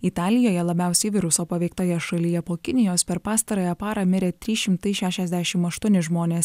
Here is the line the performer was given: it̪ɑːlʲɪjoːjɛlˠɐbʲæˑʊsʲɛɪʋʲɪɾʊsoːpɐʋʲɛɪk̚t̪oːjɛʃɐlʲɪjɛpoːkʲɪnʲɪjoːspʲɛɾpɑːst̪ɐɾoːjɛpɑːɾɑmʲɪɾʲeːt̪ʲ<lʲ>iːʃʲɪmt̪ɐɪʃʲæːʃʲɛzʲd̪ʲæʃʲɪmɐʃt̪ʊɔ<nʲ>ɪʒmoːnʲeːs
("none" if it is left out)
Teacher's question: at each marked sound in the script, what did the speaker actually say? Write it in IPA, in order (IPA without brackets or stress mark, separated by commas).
ɾʲ, nʲ